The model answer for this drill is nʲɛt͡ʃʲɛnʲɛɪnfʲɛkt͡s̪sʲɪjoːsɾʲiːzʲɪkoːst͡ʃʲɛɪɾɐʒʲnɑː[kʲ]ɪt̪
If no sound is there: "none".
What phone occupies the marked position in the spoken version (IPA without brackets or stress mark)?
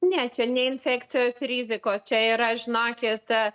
kʲ